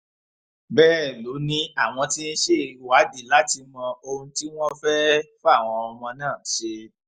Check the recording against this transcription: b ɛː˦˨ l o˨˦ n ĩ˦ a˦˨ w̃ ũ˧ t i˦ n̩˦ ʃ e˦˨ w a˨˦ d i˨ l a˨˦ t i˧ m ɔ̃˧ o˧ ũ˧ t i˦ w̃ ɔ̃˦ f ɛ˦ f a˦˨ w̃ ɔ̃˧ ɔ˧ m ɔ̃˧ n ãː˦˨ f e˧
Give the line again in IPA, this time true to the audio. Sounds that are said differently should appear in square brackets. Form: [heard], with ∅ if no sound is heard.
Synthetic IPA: b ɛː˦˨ l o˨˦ n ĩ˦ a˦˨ w̃ [ɔ̃˧] t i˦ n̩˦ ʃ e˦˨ w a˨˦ d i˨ l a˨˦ t i˧ m ɔ̃˧ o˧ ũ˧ t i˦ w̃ ɔ̃˦ f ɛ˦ f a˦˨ w̃ ɔ̃˧ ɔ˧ m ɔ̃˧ n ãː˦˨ [ʃ] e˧